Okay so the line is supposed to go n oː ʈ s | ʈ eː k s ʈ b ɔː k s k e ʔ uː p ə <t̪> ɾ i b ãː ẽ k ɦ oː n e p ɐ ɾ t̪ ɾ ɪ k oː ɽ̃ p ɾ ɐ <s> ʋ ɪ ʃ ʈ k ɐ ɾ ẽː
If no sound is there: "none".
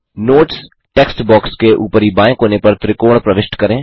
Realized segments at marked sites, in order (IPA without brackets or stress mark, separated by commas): none, none